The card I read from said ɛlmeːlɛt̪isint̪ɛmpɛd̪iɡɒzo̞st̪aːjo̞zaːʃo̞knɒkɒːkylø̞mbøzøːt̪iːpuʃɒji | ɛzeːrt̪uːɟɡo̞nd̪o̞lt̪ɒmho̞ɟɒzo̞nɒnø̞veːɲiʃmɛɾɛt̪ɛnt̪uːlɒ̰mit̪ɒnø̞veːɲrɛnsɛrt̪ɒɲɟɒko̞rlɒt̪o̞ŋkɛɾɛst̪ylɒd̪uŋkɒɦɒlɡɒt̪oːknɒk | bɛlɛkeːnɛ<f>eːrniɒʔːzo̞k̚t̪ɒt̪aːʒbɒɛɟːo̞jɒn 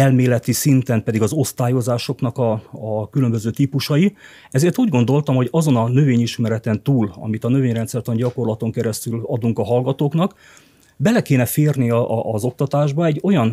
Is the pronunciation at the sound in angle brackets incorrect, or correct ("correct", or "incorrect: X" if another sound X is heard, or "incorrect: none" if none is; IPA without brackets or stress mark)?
correct